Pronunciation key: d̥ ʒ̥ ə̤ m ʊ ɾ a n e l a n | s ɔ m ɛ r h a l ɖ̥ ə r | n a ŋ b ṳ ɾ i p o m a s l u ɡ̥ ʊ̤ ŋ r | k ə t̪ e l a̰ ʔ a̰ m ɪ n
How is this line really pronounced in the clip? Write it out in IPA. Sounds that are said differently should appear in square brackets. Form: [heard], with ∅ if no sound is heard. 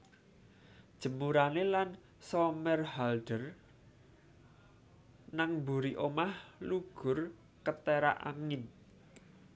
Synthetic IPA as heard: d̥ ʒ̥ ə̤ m [u] ɾ a n e l a n | s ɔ m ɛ r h a l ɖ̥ ə r | n a ŋ b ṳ ɾ i [ʔ] o m a [h] l u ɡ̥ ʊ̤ [∅] r | k ə t̪ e [ɾ] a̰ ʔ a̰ [ŋ] ɪ n